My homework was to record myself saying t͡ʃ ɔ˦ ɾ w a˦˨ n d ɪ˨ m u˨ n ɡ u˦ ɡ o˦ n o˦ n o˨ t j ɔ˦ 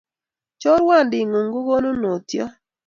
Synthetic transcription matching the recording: t͡ʃ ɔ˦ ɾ w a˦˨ n d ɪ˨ ŋ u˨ ŋ ɡ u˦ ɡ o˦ n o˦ n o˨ t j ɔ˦